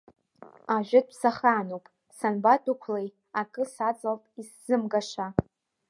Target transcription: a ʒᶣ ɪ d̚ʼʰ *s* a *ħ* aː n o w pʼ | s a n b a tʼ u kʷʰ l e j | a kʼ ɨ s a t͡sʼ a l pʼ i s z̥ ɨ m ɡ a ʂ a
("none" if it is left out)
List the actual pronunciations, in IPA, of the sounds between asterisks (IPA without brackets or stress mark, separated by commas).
s, χ